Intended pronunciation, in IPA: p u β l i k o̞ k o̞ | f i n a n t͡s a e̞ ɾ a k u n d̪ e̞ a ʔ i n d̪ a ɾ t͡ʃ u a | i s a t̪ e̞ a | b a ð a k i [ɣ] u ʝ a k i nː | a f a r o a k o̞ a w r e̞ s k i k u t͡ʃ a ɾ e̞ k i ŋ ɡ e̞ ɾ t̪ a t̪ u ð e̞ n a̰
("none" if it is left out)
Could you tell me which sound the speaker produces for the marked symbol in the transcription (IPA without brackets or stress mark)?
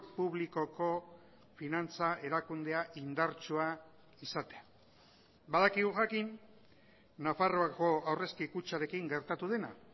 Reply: ɣ